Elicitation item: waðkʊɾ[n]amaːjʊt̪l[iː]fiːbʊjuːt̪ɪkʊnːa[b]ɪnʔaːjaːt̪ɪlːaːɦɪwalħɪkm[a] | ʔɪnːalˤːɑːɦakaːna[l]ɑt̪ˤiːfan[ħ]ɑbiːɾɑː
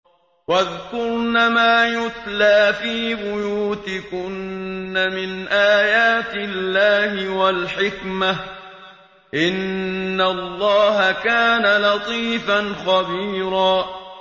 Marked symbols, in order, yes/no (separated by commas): yes, no, no, yes, yes, no